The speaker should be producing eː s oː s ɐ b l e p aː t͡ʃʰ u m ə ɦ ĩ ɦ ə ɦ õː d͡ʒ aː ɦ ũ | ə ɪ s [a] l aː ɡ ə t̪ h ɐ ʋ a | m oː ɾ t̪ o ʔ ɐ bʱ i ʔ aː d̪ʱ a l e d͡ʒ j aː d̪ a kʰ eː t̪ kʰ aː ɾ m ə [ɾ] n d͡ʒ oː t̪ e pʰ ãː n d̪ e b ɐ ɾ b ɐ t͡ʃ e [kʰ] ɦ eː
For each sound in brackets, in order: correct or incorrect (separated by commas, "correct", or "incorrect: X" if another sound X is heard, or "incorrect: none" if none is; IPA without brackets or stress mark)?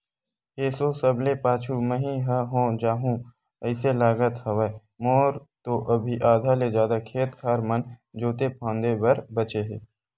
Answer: incorrect: e, incorrect: none, incorrect: none